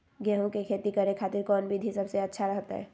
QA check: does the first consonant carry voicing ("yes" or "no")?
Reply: yes